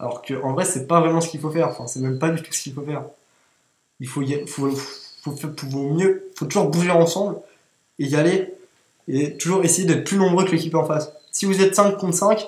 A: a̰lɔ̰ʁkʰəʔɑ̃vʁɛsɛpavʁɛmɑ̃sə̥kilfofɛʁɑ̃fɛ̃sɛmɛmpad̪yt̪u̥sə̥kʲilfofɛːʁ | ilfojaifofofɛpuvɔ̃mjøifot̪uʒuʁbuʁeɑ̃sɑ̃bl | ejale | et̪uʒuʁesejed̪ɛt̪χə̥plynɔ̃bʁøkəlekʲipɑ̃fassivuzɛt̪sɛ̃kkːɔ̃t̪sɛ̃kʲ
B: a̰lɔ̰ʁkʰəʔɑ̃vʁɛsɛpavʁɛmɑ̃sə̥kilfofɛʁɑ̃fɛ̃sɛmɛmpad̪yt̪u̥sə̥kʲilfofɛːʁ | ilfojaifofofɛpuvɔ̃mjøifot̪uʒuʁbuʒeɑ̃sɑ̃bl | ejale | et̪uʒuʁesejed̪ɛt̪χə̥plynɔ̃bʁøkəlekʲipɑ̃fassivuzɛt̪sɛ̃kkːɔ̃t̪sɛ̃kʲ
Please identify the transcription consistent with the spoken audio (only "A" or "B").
B